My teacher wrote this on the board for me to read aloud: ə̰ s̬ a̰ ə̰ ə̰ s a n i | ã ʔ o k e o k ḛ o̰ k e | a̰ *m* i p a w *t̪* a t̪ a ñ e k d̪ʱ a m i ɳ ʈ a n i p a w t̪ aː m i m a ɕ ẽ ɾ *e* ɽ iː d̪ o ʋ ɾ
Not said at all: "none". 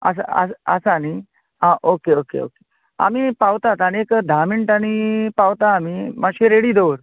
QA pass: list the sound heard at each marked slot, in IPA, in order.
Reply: m, t̪, e

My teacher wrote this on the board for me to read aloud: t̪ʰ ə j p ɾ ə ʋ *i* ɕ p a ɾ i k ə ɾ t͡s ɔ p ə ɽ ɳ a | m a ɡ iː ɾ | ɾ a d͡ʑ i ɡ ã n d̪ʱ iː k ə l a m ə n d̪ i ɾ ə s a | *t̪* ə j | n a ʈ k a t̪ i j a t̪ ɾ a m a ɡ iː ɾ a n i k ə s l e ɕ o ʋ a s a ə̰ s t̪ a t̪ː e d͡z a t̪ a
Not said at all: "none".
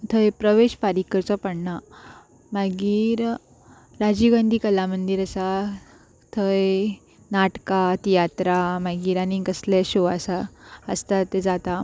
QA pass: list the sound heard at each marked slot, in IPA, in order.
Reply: e, t̪ʰ

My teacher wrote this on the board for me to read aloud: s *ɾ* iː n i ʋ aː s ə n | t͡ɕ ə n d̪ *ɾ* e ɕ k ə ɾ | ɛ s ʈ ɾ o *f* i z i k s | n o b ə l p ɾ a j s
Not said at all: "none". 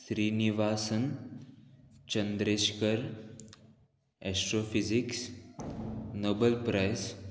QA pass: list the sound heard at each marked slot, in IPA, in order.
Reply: ɾ, ɾ, f

